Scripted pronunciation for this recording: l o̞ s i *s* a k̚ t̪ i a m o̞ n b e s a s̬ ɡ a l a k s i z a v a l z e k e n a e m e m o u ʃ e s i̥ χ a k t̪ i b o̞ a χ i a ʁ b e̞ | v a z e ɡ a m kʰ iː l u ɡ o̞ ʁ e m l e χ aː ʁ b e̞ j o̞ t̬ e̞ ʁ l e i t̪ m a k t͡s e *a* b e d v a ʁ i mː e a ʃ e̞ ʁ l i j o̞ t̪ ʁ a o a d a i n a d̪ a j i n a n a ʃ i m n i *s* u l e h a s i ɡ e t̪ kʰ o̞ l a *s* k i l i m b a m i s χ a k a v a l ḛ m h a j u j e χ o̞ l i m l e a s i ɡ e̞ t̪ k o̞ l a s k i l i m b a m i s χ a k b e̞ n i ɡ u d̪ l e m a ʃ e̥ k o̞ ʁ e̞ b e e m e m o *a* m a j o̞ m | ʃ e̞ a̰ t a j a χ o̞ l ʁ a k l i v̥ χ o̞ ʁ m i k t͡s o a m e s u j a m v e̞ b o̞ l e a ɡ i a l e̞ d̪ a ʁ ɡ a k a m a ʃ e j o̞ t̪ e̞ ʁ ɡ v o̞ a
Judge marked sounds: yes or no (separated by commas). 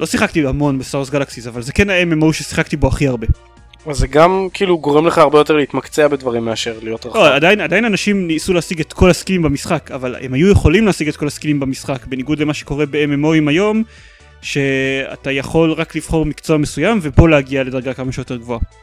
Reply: no, yes, yes, yes, no